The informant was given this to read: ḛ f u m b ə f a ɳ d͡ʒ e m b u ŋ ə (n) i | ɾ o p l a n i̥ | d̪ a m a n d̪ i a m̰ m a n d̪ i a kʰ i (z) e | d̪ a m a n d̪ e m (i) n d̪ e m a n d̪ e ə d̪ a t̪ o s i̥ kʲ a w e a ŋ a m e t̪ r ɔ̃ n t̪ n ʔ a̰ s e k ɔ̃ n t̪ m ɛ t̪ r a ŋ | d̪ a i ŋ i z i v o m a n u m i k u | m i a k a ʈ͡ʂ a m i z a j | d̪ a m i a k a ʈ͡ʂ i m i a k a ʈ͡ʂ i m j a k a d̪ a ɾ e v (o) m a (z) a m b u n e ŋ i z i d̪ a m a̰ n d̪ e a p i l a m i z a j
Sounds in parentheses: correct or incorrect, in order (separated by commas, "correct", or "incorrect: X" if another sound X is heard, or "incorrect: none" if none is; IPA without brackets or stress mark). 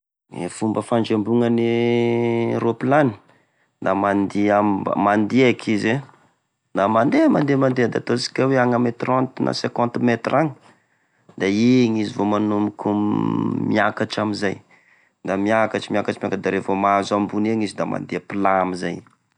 correct, correct, incorrect: a, correct, correct